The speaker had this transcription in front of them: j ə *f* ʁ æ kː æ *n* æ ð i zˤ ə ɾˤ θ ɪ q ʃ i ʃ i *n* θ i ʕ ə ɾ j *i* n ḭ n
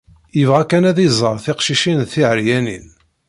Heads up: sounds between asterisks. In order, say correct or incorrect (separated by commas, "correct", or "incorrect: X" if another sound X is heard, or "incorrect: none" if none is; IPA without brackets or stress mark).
incorrect: v, correct, correct, incorrect: æ